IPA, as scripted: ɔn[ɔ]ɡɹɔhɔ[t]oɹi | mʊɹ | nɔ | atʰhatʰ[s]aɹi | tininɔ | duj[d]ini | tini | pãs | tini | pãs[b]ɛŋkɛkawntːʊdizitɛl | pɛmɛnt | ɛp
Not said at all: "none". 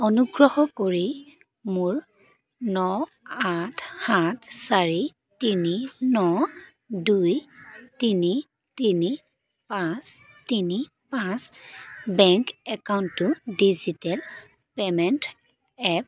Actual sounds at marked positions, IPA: u, k, s, t, b

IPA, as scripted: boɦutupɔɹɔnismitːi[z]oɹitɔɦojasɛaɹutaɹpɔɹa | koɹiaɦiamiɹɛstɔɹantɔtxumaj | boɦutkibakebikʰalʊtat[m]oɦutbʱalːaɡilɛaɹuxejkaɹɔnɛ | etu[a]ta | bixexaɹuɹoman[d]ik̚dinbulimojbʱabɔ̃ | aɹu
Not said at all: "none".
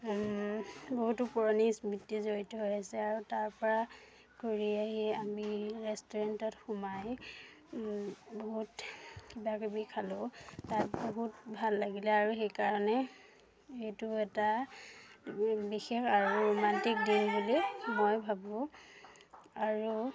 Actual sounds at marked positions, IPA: z, b, ɛ, t

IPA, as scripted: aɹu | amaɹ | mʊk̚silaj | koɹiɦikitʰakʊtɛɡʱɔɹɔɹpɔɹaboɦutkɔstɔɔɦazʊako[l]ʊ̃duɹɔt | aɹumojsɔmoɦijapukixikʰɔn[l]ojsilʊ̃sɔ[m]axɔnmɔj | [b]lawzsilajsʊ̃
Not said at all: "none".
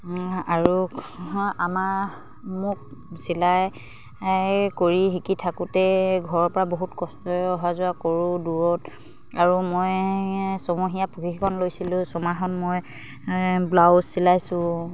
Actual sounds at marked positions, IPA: ɹ, l, m, b

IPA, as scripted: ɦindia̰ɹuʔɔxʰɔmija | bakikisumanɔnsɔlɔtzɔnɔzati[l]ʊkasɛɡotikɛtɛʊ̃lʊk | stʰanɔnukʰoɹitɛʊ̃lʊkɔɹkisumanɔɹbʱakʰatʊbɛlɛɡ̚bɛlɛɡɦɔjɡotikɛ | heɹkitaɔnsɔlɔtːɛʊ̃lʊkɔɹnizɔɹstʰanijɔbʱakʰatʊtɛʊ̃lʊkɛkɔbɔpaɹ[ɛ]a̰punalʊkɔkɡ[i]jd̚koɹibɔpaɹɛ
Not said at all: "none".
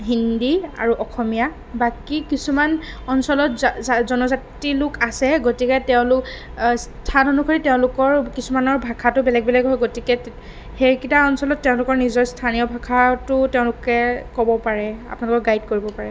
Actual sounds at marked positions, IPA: l, ɛ, a

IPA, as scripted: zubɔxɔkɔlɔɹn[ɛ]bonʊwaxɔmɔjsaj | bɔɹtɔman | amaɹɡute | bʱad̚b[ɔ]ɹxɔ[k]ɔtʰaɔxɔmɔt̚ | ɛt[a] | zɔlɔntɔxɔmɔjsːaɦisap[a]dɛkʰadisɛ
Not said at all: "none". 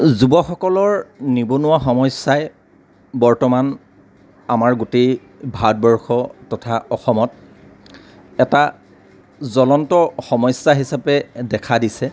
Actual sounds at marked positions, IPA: i, ɔ, t, a, ɛ

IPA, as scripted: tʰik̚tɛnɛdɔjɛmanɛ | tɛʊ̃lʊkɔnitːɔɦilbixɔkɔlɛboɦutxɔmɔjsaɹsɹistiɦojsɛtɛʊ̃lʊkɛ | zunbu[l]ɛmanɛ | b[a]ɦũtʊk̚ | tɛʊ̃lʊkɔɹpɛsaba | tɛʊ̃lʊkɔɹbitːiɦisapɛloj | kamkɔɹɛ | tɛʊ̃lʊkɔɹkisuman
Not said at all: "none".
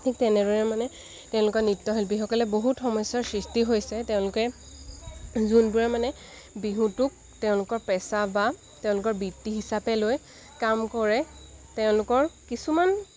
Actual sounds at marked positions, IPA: ɹ, i

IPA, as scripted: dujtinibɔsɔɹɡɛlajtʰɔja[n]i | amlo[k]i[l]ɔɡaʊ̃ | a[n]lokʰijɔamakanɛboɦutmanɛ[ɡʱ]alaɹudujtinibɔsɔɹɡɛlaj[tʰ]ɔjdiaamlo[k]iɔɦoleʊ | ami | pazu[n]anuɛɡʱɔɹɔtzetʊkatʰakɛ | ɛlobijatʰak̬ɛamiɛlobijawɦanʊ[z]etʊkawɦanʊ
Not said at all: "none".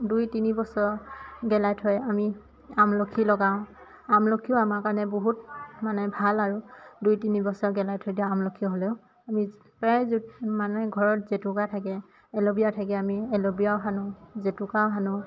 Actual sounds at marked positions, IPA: m, kʰ, l, m, bʱ, tʰ, kʰ, m, z

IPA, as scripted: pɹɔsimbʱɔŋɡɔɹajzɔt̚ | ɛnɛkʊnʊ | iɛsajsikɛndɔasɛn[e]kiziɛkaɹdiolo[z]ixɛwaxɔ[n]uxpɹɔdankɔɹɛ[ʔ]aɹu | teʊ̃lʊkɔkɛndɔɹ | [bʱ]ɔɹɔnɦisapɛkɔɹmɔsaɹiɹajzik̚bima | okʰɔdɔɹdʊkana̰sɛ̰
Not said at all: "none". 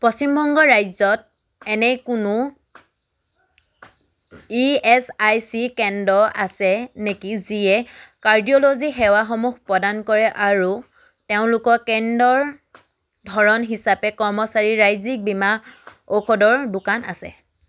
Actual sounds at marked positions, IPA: e, z, m, ʔ, dʱ

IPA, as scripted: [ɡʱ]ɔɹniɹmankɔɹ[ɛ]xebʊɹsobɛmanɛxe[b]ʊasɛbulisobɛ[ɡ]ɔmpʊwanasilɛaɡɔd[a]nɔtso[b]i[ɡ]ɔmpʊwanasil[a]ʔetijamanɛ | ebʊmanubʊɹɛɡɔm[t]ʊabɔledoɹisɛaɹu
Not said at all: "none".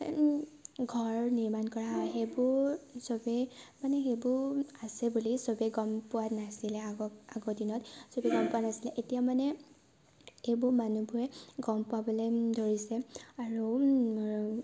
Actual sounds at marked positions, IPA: ɡʱ, a, b, ɡ, i, b, ɡ, ɛ, p

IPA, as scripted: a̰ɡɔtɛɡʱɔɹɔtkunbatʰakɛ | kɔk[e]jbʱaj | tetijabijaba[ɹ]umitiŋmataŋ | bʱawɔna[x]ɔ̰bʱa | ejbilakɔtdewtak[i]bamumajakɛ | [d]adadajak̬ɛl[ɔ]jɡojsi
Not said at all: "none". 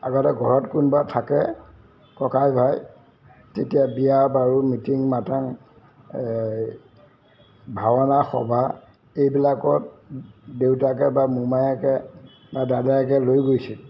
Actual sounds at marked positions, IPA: a, ɹ, x, ɛ, b, o

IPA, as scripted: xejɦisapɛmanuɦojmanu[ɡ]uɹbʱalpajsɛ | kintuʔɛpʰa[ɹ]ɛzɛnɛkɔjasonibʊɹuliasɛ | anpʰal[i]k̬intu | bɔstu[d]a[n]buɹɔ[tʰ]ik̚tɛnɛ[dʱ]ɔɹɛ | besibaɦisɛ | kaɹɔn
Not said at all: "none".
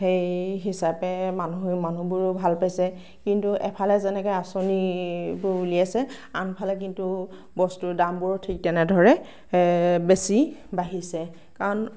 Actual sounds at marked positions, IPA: b, l, ɛ, d, m, tʰ, dʱ

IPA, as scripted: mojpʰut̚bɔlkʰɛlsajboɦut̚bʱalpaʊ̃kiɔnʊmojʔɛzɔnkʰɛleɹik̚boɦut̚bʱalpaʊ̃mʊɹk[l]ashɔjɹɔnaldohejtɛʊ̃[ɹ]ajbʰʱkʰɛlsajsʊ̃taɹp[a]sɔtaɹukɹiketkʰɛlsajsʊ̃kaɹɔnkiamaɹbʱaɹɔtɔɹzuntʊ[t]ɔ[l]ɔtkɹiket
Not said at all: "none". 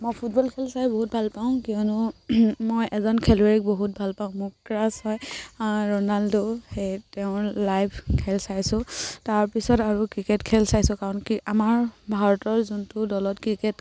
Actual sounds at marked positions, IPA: ɹ, l, i, d, l

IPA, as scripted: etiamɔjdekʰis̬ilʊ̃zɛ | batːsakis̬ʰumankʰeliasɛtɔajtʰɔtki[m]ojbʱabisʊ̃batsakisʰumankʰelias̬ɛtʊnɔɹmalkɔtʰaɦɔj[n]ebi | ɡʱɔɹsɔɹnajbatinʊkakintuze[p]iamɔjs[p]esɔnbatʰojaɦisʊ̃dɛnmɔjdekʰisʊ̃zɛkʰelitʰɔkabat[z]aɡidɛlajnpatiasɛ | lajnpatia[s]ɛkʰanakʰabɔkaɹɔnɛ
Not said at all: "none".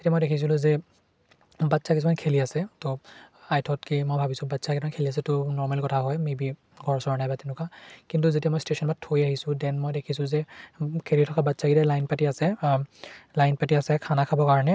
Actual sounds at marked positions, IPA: m, m, t, t, s, s

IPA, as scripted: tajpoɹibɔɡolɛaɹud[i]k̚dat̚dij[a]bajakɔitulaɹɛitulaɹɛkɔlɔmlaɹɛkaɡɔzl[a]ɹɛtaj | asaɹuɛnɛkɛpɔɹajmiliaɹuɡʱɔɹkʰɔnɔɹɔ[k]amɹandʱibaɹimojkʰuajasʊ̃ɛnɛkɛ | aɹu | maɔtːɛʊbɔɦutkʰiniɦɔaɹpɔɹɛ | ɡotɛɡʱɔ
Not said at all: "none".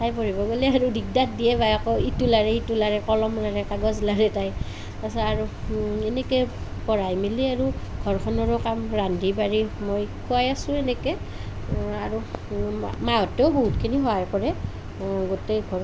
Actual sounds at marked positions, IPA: i, ɛ, a, k

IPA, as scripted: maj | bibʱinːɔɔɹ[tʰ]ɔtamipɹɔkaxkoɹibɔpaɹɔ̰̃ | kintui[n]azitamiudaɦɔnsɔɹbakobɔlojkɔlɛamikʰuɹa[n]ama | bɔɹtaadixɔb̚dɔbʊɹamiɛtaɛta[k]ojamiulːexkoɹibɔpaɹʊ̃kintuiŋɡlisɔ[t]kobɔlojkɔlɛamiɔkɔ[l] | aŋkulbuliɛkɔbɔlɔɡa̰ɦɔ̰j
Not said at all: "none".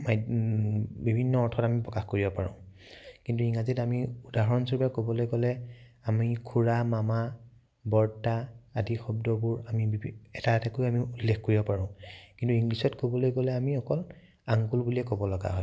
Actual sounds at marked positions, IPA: tʰ, ŋ, m, k, t, l

